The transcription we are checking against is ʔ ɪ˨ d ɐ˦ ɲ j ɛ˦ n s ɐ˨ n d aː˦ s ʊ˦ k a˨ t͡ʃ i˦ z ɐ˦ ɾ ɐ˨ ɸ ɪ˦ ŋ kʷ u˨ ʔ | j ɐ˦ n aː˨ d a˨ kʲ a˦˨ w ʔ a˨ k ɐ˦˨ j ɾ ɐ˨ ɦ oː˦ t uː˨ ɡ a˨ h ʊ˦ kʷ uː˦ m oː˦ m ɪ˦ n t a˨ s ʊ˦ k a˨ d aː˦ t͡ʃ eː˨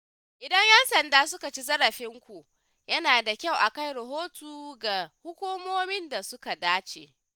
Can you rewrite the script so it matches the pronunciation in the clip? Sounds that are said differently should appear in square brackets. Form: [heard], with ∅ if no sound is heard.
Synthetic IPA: ʔ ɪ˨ d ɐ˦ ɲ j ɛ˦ n s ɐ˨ n d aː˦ s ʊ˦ k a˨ t͡ʃ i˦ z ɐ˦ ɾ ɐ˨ ɸ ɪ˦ ŋ kʷ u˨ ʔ | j ɐ˦ n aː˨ d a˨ kʲ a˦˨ w ʔ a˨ k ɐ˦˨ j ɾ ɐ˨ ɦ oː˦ t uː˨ ɡ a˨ h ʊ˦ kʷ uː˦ m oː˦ m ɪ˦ n [d] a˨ s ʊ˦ k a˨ d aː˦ t͡ʃ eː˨